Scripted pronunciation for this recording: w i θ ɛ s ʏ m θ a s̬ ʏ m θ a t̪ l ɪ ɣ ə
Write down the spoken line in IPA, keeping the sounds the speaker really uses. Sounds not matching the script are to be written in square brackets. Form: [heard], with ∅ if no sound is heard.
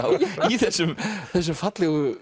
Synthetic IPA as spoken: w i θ ɛ s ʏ m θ [ɛ] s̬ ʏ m [f] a t̪ l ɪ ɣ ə